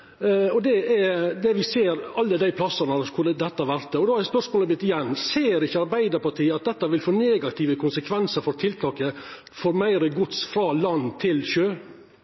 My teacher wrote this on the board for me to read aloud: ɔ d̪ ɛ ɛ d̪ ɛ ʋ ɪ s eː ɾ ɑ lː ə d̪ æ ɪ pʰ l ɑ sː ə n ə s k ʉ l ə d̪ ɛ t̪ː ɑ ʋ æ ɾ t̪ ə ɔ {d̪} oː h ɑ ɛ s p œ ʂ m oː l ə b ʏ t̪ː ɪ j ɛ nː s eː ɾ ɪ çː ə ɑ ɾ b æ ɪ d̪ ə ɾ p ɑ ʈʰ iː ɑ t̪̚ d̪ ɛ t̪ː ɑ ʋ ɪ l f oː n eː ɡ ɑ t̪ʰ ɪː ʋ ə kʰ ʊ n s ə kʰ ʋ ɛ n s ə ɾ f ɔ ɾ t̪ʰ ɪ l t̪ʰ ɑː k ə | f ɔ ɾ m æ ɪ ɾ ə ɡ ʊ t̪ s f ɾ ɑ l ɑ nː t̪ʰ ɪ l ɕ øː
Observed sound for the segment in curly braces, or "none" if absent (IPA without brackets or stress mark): d̪